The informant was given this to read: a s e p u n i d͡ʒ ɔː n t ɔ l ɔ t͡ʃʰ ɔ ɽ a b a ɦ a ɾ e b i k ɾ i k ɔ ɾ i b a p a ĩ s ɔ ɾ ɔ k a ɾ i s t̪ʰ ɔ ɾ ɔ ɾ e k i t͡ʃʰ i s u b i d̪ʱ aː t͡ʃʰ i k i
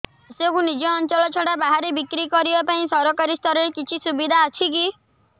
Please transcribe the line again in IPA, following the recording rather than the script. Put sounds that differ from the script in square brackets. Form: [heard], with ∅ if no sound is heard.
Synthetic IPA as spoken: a s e [k] u n i d͡ʒ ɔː n [t͡ʃ] ɔ l ɔ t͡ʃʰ ɔ ɽ a b a ɦ a ɾ e b i k ɾ i k ɔ ɾ i b a p a ĩ s ɔ ɾ ɔ k a ɾ i s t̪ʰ ɔ ɾ ɔ ɾ e k i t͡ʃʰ i s u b i d̪ʱ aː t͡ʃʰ i k i